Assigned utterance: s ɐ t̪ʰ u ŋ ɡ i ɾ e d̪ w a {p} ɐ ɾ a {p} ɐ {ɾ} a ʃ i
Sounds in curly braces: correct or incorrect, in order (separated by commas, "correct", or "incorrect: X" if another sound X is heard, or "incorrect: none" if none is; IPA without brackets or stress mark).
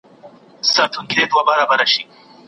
incorrect: b, incorrect: b, correct